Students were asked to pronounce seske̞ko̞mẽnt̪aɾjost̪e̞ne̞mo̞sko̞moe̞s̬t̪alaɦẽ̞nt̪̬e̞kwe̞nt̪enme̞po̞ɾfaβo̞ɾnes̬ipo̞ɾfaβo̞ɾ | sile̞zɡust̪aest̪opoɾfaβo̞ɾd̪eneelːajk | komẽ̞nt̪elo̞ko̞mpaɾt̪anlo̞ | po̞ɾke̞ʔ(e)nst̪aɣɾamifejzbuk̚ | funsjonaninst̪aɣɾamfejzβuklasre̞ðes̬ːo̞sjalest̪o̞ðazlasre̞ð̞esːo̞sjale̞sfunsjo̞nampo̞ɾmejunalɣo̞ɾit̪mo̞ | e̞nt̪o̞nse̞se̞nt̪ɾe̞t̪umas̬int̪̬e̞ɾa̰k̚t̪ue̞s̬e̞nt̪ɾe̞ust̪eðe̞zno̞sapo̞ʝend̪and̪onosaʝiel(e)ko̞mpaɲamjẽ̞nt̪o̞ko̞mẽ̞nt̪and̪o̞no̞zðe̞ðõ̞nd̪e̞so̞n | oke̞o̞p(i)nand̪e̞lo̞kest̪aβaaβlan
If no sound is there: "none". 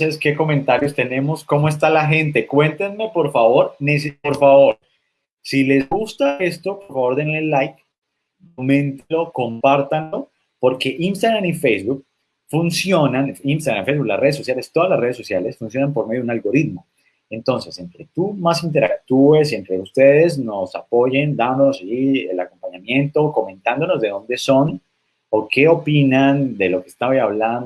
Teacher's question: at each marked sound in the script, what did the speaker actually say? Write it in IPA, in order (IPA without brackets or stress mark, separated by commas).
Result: i, a, i